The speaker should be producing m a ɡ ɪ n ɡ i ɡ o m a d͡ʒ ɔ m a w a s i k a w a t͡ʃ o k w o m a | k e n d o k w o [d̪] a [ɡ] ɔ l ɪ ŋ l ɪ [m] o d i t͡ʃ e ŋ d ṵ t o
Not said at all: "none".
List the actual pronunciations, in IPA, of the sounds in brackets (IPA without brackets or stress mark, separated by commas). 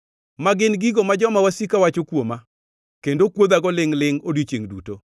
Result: d̪, ɡ, ŋ